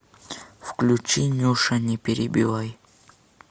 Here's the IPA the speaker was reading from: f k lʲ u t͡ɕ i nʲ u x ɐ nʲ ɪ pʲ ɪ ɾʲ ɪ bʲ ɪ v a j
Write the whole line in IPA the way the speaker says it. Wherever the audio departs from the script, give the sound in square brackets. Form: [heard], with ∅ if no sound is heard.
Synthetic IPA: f k lʲ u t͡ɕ i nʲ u [ʂ] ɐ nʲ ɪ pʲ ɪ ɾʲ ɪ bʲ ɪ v a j